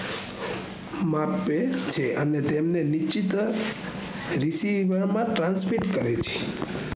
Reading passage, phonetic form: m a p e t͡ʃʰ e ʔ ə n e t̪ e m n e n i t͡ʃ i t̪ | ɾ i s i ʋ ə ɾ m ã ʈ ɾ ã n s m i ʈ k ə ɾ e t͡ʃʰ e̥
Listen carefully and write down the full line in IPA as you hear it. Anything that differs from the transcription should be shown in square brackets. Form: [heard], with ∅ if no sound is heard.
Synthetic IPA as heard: m a p e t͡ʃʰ e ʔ ə n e t̪ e m n e n i t͡ʃ i t̪ | ɾ i s i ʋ ə ɾ m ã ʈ ɾ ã n s m i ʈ k ə ɾ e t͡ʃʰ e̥